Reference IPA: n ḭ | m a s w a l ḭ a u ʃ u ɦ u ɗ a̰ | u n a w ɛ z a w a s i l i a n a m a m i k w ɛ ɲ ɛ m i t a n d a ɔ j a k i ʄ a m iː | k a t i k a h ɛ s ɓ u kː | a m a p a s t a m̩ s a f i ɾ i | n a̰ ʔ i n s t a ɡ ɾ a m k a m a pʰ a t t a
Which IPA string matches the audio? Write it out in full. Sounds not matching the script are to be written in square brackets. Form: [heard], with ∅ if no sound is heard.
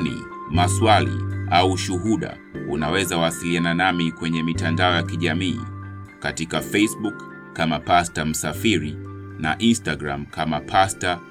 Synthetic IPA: n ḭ | m a s w a l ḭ a u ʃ u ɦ u ɗ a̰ | u n a w ɛ z a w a s i l i a n a [n] a m i k w ɛ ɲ ɛ m i t a n d a ɔ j a k i ʄ a m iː | k a t i k a [f] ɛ s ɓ u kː | a m a p a s t a m̩ s a f i ɾ i | n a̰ ʔ i n s t a ɡ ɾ a m k a m a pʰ a [s] t a